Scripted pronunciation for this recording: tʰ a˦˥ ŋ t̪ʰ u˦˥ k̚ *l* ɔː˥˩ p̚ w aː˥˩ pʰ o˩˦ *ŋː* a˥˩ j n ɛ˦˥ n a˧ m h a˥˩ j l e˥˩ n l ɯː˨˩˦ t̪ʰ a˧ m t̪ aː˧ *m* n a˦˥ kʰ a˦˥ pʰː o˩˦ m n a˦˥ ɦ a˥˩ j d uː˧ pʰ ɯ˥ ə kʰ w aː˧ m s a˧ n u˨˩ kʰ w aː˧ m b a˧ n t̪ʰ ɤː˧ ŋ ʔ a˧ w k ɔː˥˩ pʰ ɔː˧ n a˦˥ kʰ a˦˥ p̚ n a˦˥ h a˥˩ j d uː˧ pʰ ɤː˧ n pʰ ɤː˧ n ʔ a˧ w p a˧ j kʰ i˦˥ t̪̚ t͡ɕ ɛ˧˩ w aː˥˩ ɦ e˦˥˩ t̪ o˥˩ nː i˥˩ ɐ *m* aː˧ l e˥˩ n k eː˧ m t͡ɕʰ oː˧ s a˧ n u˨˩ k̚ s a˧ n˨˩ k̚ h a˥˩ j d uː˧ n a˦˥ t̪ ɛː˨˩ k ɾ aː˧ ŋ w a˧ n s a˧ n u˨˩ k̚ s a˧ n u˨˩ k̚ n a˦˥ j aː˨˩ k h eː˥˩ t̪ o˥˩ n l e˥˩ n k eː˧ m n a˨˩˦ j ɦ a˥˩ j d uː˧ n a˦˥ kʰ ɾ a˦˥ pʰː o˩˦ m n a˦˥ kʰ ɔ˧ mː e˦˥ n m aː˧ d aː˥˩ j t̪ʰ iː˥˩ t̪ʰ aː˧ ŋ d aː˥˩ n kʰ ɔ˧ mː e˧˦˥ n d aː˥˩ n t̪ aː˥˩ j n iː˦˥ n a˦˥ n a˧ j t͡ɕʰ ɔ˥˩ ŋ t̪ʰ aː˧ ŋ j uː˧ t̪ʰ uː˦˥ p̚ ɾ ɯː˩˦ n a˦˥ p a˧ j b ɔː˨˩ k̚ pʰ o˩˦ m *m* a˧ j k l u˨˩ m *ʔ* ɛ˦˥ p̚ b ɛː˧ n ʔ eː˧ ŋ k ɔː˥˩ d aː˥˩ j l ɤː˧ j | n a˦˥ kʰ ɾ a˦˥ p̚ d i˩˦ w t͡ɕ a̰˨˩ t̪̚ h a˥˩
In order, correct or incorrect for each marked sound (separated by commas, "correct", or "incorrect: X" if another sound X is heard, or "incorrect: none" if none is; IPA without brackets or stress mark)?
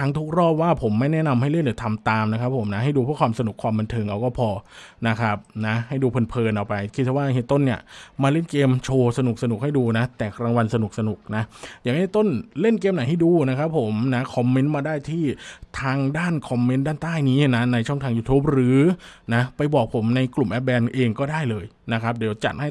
incorrect: ɾ, incorrect: mː, correct, correct, incorrect: n, correct